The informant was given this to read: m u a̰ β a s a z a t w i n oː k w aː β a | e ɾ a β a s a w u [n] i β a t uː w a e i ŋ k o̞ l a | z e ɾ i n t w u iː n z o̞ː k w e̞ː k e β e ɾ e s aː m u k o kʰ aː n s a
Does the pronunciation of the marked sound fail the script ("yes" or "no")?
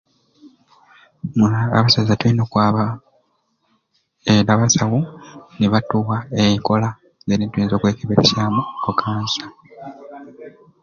no